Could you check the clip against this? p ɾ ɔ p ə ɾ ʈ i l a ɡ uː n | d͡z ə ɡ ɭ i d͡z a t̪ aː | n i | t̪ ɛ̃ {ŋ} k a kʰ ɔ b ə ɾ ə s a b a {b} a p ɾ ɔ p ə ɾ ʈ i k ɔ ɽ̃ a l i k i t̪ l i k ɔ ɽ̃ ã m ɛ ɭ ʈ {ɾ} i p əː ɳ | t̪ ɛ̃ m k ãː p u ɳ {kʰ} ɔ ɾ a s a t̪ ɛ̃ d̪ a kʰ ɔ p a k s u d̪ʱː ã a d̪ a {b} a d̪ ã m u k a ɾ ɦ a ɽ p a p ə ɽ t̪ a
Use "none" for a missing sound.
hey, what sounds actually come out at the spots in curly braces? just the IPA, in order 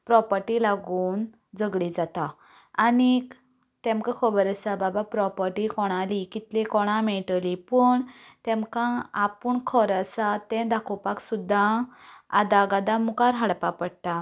m, b, l, kʰ, ɡ

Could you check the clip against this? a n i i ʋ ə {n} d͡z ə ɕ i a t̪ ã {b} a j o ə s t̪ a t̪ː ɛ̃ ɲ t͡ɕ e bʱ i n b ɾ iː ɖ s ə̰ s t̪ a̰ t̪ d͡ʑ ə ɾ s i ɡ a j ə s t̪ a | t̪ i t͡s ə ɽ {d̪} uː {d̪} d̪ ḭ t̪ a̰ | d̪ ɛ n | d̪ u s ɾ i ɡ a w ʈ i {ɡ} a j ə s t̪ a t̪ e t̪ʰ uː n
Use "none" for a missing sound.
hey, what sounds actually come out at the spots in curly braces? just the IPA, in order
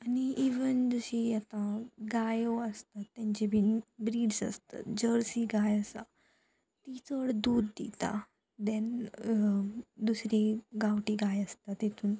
n, ɡ, d̪, d̪, ɡ

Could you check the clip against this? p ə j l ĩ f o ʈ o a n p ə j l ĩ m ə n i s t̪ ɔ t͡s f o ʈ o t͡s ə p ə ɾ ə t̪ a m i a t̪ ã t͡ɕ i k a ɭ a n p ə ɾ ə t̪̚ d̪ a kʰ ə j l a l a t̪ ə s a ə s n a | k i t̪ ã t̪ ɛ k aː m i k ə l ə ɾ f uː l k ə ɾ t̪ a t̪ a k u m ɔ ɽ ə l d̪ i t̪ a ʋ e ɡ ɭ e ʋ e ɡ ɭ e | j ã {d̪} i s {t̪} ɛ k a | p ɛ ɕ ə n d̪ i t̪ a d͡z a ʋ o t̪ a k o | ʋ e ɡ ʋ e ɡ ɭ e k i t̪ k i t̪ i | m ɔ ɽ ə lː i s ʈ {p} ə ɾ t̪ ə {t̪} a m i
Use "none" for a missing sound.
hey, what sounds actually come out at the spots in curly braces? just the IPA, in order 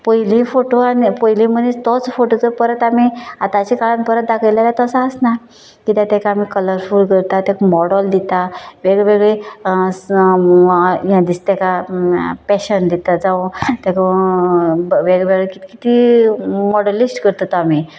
d̪, t̪, k, t̪

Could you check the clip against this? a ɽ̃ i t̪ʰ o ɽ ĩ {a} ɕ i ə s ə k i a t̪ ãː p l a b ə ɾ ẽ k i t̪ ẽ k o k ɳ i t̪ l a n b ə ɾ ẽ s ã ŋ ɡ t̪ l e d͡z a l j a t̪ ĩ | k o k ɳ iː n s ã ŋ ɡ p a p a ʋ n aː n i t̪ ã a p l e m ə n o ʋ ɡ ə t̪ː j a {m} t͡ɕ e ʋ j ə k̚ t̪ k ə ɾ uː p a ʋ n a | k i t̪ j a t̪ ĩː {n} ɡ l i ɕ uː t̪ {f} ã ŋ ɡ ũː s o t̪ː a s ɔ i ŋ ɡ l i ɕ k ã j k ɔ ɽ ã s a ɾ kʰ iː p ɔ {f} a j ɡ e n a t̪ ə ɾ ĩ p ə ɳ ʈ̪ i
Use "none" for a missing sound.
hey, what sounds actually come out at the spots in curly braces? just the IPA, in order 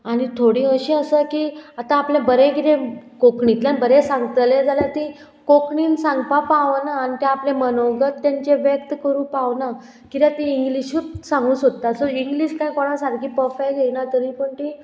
ə, ɲ, ŋ, s, f

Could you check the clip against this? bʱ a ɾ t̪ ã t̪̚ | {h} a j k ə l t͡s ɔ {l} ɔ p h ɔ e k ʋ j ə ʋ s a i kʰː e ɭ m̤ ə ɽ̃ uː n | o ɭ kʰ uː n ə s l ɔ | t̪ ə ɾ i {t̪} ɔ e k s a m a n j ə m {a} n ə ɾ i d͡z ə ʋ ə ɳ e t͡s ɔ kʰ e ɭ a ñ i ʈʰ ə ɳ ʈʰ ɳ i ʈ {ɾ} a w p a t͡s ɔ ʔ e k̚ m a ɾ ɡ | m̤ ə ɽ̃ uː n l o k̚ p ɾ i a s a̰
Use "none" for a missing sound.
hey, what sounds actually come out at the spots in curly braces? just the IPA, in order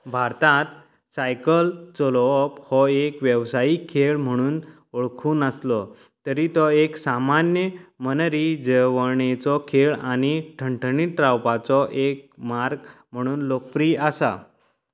s, l, t̪, ə, ɾ

